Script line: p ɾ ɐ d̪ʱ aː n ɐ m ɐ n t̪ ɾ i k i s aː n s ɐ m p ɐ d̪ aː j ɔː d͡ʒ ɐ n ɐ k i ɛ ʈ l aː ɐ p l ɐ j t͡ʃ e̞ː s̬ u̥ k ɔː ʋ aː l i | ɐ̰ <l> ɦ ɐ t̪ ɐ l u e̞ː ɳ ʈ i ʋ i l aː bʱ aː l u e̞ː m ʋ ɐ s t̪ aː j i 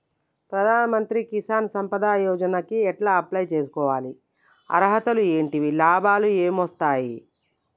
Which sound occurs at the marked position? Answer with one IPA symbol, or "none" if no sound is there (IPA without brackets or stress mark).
ɾ